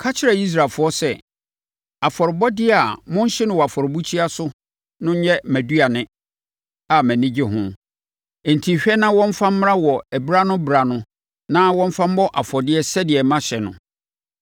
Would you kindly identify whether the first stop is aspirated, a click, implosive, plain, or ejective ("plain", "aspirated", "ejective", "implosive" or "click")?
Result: aspirated